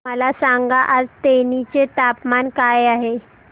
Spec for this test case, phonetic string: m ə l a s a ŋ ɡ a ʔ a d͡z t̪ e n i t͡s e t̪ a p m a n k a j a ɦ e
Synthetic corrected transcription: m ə l a s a ŋ ɡ a ʔ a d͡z t̪ e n i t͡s e t̪ a p m a n k a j a ɦ e